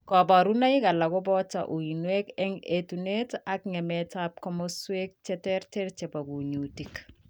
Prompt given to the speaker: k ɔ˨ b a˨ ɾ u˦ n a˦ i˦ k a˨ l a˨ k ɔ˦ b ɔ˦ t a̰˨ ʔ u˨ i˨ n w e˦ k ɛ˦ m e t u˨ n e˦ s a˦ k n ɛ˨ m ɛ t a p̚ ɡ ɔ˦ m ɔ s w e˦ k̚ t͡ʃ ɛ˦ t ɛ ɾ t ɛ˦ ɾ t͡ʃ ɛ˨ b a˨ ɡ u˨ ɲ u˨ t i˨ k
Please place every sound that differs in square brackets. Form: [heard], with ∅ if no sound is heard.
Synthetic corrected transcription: k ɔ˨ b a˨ ɾ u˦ n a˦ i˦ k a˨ l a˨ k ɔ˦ b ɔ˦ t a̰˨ ʔ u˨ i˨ n w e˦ k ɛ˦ [ŋ] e t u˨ n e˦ [t] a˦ k [ŋ] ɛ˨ m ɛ t a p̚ [k] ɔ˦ m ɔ s w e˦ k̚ t͡ʃ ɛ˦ t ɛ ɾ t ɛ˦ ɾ t͡ʃ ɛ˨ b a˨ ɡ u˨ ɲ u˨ t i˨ k